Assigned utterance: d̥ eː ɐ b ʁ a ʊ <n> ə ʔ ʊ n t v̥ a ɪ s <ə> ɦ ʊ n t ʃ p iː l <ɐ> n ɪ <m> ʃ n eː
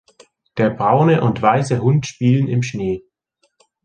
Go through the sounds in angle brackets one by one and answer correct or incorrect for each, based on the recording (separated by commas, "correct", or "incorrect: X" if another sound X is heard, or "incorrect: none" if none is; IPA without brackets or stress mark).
correct, correct, incorrect: ə, correct